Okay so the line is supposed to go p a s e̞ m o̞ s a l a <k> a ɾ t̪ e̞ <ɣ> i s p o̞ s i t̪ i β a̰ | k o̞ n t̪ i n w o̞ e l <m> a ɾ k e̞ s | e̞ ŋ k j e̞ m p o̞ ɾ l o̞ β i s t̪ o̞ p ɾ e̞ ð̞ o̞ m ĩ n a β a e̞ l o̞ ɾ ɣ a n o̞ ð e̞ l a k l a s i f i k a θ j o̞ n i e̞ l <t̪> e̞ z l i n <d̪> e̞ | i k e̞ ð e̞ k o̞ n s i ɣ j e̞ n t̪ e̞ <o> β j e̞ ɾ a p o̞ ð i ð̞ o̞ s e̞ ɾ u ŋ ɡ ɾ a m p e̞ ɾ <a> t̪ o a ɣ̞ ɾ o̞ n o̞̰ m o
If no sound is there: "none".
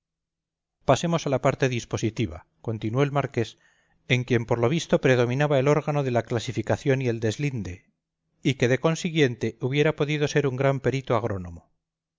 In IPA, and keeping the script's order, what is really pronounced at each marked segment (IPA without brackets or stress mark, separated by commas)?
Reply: p, ð, m, d̪, d̪, u, i